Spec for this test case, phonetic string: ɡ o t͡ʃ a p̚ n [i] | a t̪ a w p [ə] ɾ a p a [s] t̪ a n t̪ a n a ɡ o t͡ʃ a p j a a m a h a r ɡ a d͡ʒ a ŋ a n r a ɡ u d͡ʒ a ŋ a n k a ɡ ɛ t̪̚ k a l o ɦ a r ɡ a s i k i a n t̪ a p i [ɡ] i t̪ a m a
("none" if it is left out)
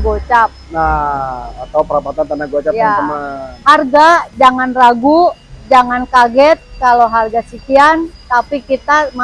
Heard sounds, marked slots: a, ə, none, k

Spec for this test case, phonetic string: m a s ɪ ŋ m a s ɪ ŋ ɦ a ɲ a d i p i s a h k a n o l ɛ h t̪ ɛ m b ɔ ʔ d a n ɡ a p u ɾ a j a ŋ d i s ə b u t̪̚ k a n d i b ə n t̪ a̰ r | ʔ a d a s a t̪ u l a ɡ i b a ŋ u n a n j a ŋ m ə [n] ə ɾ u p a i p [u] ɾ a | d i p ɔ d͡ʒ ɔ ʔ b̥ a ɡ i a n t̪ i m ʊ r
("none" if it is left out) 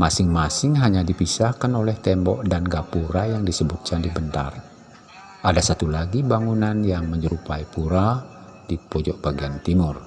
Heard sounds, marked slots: ɲ, u

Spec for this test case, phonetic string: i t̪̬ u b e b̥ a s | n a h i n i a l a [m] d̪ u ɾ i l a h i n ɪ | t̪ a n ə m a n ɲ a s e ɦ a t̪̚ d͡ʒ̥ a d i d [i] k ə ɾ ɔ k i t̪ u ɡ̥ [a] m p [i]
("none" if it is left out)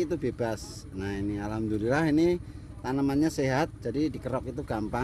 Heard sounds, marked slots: m, i, a, a

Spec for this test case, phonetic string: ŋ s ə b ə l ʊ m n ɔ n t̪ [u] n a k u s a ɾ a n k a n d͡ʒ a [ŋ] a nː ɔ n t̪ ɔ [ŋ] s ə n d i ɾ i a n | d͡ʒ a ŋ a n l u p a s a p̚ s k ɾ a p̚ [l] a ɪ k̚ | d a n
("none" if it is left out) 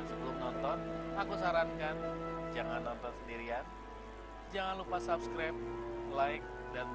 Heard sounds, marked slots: ɔ, ŋ, n, l

